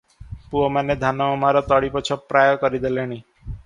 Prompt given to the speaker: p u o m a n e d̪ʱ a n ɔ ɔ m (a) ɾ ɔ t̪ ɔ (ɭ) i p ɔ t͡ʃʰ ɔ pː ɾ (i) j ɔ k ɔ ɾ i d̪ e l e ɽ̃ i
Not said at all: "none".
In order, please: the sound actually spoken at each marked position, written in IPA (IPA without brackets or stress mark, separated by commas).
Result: a, ɽ, a